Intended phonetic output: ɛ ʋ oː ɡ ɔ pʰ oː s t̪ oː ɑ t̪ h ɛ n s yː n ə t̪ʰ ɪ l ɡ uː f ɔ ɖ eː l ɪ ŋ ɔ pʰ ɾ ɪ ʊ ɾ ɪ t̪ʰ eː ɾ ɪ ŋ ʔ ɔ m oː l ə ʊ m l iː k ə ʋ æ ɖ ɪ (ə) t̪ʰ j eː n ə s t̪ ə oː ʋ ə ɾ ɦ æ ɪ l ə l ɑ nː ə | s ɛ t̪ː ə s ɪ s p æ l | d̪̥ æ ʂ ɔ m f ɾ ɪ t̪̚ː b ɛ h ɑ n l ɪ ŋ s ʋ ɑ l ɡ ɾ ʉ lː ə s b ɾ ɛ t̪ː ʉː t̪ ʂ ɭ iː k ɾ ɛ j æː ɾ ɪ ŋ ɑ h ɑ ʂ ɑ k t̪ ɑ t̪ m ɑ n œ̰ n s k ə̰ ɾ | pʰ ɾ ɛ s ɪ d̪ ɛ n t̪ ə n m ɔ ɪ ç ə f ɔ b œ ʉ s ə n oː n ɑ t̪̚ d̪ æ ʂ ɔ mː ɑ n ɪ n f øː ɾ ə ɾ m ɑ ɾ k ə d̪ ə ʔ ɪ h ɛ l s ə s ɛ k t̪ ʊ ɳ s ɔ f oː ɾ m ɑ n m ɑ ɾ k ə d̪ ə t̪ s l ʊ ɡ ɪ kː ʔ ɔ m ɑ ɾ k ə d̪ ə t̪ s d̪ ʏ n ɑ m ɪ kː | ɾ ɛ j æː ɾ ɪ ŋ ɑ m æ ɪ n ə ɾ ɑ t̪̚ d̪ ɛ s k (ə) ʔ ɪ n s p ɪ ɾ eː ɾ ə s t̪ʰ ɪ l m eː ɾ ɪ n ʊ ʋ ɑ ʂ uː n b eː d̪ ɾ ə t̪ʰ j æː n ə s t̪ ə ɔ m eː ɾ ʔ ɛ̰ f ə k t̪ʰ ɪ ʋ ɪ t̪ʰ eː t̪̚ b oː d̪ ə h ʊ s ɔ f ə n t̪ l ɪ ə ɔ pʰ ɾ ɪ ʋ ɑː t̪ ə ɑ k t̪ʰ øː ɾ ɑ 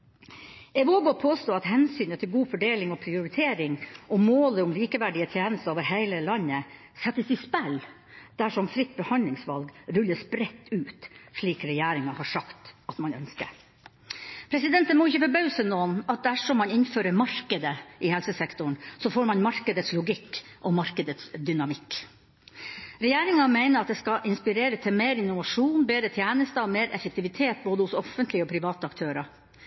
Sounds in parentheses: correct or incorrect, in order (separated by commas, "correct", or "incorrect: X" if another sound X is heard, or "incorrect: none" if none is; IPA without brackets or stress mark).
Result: correct, incorrect: ɑ